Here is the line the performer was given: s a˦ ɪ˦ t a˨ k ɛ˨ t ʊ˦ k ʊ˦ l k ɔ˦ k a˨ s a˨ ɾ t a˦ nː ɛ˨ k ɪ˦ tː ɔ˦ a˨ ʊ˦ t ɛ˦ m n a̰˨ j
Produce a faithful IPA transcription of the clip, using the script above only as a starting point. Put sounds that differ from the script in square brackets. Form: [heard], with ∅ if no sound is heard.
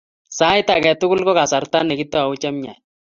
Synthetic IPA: s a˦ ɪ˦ t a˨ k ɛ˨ t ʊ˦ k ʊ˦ l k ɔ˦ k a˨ s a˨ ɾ t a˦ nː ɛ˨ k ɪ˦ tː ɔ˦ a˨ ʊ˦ [t͡ʃ] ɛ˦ m [ɲ] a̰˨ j